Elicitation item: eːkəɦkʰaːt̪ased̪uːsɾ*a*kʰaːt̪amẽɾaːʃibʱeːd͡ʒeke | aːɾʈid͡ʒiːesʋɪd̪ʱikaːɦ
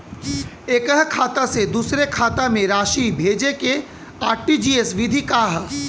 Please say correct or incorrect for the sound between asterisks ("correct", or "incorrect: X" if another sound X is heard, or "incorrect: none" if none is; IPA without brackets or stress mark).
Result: incorrect: e